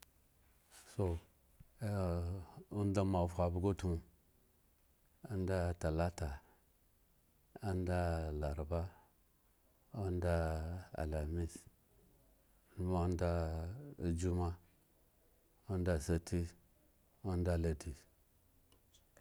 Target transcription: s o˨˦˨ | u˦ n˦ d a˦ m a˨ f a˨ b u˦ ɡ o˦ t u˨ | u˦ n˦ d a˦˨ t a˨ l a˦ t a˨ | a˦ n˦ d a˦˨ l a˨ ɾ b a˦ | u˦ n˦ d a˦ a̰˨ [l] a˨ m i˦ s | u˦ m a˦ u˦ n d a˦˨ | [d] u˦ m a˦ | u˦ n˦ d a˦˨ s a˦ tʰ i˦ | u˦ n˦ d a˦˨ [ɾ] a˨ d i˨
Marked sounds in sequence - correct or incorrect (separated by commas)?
correct, incorrect, incorrect